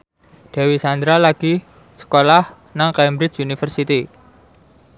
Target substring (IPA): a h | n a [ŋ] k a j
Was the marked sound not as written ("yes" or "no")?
no